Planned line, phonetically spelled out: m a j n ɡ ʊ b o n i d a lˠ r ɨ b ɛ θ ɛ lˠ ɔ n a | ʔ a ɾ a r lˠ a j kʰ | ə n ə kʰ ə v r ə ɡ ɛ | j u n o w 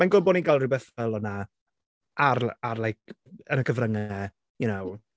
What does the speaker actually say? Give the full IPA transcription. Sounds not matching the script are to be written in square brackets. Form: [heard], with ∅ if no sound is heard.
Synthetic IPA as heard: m a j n ɡ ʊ b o n i [ɡ] a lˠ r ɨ b ɛ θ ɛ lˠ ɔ n a | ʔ a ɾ a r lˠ a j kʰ | ə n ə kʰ ə v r ə [ŋ] ɛ | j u n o w

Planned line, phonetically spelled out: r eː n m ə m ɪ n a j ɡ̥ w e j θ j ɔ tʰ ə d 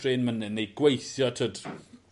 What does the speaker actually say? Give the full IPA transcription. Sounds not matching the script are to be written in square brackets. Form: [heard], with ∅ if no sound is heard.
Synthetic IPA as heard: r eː n m ə [n] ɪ n [e] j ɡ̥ w e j θ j ɔ tʰ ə d

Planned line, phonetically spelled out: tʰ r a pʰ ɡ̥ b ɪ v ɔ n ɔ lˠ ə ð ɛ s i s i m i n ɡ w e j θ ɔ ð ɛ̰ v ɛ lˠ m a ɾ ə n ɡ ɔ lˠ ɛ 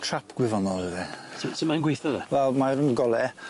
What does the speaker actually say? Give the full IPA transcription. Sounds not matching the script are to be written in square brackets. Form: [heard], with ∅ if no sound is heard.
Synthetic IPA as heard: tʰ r a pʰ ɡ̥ [w] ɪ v ɔ n ɔ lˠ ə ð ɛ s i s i m [a] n ɡ w e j θ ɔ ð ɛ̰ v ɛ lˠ m a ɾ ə n ɡ ɔ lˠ ɛ

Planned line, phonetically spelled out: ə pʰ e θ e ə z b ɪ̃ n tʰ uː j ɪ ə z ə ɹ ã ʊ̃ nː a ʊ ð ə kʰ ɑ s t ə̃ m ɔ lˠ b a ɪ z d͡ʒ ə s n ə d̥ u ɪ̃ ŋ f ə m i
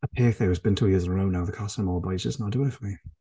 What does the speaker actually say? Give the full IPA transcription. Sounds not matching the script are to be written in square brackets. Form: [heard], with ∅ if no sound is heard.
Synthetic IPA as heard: ə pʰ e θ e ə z b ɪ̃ n tʰ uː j ɪ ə z ə ɹ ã ʊ̃ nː a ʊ ð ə kʰ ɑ s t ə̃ m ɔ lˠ b a ɪ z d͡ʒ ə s n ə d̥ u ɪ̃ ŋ f ə m i

